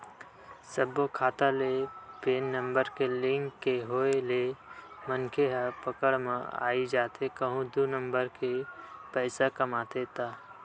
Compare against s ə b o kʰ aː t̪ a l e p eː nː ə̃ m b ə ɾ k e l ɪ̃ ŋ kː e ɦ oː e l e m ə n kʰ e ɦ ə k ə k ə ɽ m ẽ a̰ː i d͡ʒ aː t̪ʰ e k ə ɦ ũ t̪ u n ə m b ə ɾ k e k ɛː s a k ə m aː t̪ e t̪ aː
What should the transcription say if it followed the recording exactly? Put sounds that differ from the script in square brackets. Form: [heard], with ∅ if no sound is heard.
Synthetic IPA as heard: s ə b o kʰ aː t̪ a l e p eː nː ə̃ m b ə ɾ k e l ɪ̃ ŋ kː e ɦ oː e l e m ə n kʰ e ɦ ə [p] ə k ə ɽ m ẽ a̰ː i d͡ʒ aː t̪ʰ e k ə ɦ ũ [d̪] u n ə m b ə ɾ k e [p] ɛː s a k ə m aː t̪ e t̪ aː